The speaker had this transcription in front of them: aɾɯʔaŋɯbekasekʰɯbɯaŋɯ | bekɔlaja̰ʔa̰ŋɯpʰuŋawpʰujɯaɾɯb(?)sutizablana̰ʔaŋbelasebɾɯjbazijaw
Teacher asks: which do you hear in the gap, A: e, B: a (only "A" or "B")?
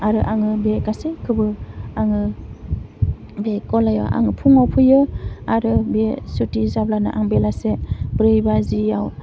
A